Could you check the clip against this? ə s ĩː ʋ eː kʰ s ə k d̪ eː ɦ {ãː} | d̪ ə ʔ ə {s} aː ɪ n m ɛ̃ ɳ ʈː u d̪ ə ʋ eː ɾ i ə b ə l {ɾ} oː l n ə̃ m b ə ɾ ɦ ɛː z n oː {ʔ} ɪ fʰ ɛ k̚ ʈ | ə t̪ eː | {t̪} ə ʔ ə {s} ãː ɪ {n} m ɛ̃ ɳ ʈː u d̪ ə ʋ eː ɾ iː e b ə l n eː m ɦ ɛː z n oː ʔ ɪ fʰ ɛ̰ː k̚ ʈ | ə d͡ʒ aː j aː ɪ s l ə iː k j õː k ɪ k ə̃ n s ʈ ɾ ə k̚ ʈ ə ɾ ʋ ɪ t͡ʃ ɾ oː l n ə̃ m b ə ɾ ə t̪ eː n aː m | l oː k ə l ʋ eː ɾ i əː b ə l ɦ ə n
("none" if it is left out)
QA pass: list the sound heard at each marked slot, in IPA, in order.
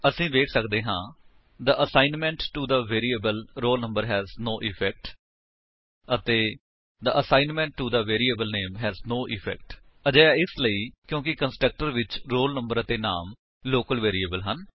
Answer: ãː, s, ɾ, ʔ, d̪, s, n

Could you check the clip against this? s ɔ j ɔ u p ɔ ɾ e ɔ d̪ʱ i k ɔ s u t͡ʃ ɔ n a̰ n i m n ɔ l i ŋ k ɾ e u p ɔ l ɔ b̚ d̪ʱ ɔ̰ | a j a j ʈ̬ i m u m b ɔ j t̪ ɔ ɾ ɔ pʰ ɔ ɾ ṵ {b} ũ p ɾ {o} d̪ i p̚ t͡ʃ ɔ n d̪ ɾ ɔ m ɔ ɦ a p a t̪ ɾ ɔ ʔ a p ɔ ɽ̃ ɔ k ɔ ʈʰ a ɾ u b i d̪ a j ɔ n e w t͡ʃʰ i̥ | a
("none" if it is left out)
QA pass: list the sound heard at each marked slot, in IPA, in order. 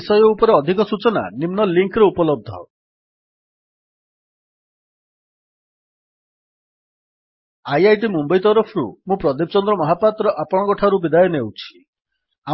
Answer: m, ɔ

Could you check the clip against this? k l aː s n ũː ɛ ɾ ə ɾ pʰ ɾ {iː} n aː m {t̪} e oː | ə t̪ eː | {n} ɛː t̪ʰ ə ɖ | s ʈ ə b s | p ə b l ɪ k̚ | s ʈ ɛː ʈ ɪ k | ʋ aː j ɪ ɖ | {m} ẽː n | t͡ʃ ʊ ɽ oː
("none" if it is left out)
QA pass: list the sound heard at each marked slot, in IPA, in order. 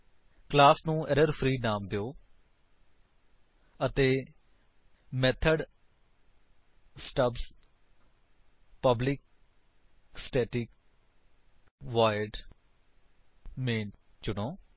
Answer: iː, d̪, m, m

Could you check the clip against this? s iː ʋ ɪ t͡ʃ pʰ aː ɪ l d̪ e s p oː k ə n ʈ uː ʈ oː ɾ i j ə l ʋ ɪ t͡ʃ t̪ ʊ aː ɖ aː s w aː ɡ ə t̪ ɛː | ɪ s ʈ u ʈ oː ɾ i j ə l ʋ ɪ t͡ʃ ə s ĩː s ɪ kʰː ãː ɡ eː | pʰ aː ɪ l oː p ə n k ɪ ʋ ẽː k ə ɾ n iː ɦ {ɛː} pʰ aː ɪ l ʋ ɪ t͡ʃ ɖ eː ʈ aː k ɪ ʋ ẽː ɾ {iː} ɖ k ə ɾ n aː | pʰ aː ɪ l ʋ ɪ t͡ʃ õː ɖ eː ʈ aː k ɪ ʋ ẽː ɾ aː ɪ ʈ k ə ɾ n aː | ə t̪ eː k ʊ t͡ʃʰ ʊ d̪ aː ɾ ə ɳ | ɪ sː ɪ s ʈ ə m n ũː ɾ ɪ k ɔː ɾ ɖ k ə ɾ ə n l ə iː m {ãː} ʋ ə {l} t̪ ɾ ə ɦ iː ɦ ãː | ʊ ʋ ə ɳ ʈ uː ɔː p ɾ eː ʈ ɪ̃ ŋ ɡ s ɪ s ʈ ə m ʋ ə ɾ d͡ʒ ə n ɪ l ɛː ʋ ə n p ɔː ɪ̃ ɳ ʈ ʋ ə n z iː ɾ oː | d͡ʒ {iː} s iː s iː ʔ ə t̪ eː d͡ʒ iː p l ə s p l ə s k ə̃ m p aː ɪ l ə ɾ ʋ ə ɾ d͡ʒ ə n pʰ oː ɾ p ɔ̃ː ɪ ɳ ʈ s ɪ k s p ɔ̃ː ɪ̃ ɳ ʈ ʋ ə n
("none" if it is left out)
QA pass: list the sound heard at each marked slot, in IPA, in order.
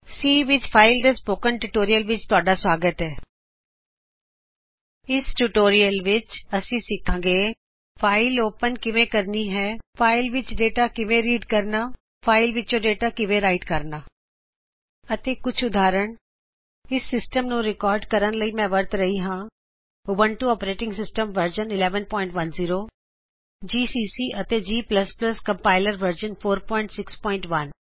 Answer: ɛː, iː, ɛ̃ː, ɾ, iː

